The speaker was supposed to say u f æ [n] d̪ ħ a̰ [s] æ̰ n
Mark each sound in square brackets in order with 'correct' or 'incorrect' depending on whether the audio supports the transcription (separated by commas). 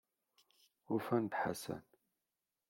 correct, correct